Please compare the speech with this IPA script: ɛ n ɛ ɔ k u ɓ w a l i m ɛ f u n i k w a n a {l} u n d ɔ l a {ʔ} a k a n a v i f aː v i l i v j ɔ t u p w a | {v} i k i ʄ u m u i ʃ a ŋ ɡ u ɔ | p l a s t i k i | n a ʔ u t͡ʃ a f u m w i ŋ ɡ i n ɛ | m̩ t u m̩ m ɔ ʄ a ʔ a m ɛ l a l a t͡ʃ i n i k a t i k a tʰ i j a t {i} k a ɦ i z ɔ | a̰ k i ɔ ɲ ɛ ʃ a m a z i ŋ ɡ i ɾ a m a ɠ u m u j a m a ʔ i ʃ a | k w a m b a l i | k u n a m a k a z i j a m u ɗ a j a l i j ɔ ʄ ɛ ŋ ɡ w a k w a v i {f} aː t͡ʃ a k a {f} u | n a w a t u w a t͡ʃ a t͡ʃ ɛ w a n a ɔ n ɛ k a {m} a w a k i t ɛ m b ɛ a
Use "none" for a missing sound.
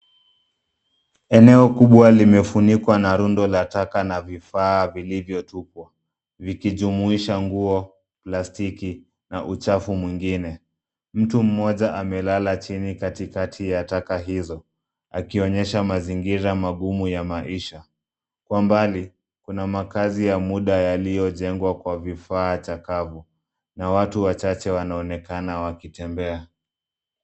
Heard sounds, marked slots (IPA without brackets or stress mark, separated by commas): ɾ, t, v, a, f, v, n